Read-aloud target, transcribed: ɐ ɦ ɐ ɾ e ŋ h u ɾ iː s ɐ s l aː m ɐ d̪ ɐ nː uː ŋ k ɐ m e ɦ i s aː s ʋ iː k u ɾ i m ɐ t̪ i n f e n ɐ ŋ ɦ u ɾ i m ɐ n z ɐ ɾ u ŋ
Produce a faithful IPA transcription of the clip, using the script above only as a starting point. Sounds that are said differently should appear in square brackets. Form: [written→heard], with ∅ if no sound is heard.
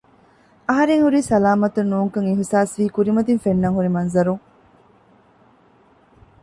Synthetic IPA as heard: ɐ ɦ ɐ ɾ e ŋ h u ɾ iː s ɐ [s→∅] l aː m ɐ [d̪→t̪] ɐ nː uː ŋ k ɐ [m→ŋ] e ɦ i s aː s ʋ iː k u ɾ i m ɐ t̪ i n f e [n→nː] ɐ ŋ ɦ u ɾ i m ɐ n z ɐ ɾ u ŋ